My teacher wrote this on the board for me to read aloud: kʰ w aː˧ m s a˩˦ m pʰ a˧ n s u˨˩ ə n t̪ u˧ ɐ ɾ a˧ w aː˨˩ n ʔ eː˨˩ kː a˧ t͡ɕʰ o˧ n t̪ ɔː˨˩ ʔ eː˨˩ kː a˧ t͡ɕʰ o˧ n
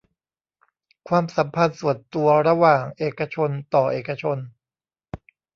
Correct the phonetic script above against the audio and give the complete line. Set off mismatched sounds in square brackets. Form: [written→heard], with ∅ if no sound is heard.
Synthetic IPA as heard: kʰ w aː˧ m s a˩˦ m pʰ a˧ n s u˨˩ ə n t̪ u˧ ɐ ɾ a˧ w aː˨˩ [n→ŋ] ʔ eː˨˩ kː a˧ t͡ɕʰ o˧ n t̪ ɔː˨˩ ʔ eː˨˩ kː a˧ t͡ɕʰ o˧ n